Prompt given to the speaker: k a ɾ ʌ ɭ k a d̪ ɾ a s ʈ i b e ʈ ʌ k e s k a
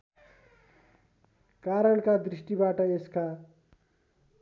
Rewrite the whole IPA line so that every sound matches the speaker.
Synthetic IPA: k a ɾ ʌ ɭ k a d̪ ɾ i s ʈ i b a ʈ ʌ e s k a